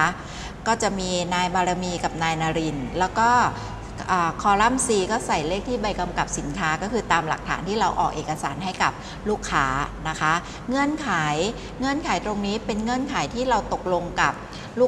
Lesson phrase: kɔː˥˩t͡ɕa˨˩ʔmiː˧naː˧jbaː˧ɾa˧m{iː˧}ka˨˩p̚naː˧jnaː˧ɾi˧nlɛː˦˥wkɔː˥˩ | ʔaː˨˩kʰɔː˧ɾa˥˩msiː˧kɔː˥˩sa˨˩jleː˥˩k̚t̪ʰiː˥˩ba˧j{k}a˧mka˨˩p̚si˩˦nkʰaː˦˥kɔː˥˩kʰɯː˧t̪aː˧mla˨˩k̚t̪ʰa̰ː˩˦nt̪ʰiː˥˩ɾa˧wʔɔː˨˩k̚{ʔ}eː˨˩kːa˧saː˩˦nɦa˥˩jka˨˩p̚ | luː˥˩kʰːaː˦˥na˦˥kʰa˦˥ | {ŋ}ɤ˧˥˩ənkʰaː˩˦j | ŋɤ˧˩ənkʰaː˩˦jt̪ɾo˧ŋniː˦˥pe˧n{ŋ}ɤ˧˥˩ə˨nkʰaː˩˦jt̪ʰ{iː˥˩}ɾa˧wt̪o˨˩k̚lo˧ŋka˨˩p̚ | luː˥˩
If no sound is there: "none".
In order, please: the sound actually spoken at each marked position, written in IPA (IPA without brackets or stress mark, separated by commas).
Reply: iː˧, k, ʔ, ŋ, ŋ, iː˥˩